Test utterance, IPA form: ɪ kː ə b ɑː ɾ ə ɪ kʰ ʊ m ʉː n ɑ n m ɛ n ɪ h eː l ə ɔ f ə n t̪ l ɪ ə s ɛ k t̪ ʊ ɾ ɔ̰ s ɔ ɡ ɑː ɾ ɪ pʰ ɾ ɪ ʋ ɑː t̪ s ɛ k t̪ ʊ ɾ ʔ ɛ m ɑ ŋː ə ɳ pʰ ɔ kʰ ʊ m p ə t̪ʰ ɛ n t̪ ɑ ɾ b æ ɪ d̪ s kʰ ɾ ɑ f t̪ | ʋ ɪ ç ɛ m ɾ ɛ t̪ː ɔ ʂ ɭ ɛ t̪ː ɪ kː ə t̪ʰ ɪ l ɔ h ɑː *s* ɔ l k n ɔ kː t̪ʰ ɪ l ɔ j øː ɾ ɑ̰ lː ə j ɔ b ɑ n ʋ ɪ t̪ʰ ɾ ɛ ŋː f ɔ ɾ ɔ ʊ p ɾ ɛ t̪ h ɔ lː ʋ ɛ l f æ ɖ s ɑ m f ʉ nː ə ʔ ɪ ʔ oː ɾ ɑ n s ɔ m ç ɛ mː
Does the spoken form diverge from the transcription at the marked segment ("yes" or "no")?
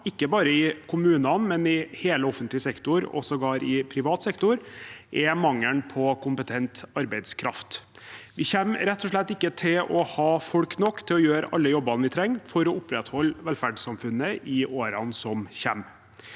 yes